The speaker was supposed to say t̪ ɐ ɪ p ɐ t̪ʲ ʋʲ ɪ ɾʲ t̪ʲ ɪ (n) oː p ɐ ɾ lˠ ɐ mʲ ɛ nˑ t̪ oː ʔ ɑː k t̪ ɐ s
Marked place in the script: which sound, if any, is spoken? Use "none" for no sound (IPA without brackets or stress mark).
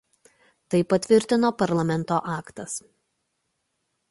n